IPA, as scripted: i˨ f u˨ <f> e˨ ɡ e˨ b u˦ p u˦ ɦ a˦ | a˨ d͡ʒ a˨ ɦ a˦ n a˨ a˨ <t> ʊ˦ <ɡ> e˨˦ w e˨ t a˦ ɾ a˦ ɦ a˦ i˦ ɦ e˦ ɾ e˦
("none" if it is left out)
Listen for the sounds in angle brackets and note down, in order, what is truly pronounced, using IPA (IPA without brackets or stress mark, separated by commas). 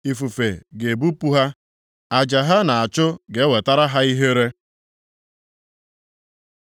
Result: f, t͡ʃ, ɡ